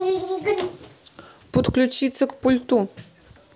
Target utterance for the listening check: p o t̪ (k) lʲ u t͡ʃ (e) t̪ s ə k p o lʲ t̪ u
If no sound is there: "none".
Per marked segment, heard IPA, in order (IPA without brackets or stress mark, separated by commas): k, i